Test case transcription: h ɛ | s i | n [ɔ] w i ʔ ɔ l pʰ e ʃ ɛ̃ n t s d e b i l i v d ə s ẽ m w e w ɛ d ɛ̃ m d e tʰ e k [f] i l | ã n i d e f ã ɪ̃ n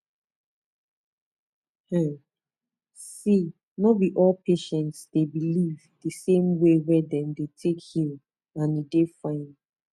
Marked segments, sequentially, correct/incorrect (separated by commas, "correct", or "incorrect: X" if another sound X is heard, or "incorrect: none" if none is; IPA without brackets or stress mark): correct, incorrect: h